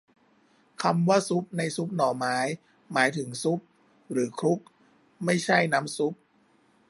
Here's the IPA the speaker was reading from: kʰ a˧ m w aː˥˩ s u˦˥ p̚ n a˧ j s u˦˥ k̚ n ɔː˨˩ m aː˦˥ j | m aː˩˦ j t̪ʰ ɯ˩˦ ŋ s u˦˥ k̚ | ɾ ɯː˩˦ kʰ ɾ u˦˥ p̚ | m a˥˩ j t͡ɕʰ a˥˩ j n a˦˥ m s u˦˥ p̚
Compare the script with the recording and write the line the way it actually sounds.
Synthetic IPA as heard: kʰ a˧ m w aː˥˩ s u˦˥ p̚ n a˧ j s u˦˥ p̚ n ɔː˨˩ m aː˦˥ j | m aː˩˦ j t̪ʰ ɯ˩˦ ŋ s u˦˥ p̚ | ɾ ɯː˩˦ kʰ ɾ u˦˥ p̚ | m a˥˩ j t͡ɕʰ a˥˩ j n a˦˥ m s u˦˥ p̚